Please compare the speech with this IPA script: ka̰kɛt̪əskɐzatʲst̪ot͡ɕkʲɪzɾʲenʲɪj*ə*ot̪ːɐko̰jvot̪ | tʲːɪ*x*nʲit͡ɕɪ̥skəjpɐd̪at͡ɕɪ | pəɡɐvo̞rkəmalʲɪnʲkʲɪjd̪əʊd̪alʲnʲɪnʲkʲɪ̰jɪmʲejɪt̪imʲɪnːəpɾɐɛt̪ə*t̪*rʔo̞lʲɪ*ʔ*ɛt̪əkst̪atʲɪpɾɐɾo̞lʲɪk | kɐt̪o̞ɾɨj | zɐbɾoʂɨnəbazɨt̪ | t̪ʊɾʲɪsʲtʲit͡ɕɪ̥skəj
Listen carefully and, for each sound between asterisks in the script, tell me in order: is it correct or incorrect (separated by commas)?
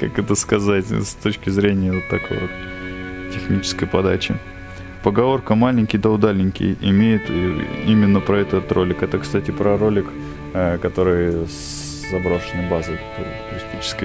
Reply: correct, correct, correct, incorrect